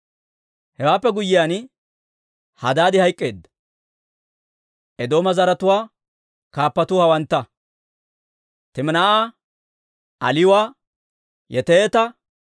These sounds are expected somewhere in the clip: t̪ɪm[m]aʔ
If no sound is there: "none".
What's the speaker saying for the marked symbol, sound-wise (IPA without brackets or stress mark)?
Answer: n